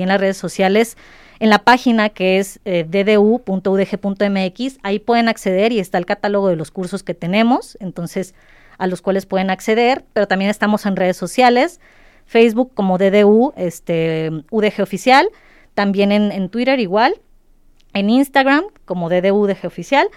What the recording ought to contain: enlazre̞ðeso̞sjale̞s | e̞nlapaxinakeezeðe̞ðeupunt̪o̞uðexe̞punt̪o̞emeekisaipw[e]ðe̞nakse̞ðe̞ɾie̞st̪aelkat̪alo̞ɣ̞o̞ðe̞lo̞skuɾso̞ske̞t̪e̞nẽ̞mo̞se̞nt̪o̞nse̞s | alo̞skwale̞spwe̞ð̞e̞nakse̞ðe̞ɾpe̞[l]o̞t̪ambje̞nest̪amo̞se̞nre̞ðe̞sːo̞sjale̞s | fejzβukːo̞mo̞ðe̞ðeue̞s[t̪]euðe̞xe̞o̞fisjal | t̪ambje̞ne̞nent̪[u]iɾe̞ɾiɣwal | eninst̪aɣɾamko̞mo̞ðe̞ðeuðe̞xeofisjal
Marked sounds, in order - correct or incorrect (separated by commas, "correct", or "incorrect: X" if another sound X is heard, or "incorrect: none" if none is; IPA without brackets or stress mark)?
correct, incorrect: ɾ, correct, incorrect: w